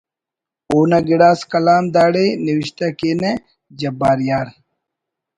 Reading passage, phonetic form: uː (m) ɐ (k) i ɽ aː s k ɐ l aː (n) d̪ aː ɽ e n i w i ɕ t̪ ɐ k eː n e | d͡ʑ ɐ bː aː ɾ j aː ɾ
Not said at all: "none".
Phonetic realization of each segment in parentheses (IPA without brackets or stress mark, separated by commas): n, ɡ, m